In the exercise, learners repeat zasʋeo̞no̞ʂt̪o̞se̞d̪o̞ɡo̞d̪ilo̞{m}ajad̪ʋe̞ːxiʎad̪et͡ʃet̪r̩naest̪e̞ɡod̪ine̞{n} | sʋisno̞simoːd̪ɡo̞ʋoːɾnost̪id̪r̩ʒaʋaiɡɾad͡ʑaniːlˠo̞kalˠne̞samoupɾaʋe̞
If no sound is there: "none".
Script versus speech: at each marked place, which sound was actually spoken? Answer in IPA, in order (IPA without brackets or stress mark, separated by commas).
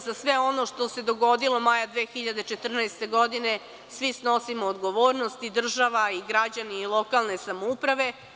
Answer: m, none